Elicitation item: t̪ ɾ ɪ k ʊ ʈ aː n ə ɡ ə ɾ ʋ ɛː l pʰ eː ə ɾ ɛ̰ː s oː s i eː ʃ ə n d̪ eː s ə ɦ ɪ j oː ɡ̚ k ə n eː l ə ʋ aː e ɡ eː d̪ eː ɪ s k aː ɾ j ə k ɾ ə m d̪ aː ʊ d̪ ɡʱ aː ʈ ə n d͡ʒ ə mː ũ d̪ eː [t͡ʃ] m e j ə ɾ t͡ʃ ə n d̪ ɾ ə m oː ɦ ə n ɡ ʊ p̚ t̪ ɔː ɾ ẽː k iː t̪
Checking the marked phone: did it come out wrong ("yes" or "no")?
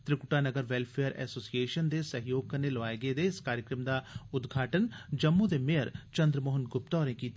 yes